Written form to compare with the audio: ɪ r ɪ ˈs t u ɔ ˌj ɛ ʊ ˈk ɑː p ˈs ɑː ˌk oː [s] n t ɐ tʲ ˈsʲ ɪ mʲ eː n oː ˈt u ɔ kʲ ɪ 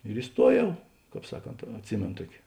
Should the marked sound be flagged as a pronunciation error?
yes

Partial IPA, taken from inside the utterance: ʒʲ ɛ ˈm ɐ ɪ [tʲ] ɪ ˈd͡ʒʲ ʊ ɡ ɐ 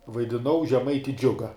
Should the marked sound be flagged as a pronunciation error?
no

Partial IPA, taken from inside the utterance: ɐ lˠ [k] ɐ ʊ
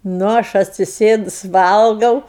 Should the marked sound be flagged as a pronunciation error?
yes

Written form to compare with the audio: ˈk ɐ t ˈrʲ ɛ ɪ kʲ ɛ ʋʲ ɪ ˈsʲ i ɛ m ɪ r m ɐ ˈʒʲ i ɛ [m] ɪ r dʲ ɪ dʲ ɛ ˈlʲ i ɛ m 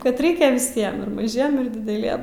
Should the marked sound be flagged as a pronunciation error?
no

